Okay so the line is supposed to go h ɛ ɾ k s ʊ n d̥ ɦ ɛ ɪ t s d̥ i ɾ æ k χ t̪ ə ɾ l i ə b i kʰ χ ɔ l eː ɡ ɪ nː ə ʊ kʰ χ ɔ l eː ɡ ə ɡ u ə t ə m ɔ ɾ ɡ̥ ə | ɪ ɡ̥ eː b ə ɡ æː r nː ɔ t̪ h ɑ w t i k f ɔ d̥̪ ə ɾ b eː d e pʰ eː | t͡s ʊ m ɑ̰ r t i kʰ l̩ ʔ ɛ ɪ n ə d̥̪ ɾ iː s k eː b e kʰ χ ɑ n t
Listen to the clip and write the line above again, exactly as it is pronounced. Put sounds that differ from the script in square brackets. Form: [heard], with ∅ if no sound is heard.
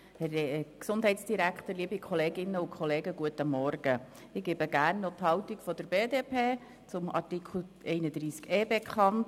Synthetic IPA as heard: h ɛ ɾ k s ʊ n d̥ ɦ ɛ ɪ t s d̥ i ɾ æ k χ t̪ ə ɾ l i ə b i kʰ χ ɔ l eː ɡ ɪ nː ə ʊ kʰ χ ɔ l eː ɡ ə ɡ u ə t ə m ɔ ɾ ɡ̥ ə | ɪ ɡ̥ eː b ə ɡ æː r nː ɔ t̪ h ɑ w t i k f ɔ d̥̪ ə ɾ b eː d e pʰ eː | t͡s ʊ m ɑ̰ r t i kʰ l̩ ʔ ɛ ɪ n ə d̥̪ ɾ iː s k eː b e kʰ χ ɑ n t